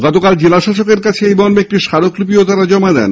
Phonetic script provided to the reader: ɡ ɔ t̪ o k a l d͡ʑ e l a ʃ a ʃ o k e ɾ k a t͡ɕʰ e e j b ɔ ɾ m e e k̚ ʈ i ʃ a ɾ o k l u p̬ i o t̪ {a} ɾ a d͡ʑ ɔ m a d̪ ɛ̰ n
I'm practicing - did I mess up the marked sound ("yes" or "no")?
no